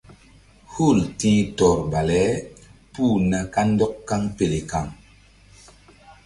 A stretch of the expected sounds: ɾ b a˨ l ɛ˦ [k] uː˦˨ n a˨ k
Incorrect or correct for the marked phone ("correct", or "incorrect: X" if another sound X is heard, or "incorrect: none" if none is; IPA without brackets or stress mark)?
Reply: incorrect: p